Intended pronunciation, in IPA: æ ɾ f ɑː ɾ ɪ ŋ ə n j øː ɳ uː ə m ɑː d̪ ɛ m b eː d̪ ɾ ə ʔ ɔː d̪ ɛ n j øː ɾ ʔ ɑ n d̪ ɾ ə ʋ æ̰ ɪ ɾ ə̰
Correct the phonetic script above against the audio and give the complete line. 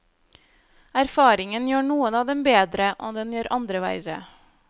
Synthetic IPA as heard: æ ɾ f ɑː ɾ ɪ ŋ ə n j øː ɳ uː ə n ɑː d̪ ɛ m b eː d̪ ɾ ə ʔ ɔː d̪ ɛ n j øː ɾ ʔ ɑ n d̪ ɾ ə ʋ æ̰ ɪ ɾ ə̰